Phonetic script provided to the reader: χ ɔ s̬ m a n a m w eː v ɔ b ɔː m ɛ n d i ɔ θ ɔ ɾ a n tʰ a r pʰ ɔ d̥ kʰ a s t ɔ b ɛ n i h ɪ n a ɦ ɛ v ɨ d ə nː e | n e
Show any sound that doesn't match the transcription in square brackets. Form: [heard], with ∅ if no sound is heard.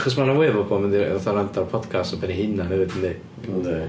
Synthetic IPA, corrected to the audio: χ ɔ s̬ m a n a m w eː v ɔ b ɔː m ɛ n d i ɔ θ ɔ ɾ a n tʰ a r pʰ ɔ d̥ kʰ a s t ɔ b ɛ n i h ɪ n a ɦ ɛ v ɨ d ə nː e | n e